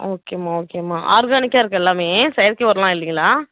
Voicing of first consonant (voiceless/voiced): voiceless